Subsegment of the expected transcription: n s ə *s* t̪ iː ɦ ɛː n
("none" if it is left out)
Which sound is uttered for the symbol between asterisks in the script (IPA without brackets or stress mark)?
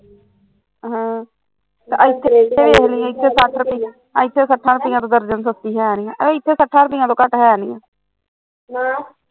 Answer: s